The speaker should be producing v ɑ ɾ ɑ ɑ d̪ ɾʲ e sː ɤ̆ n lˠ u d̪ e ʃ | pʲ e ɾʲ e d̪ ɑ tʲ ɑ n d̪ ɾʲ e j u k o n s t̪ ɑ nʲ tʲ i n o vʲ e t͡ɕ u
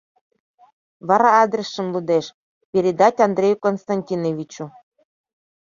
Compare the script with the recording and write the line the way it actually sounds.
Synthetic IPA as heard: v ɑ ɾ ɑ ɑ d̪ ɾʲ e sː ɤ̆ n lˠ u d̪ e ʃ | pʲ e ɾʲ e d̪ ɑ tʲ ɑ n d̪ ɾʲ e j u k o n s t̪ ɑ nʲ tʲ i n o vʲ i t͡ɕ u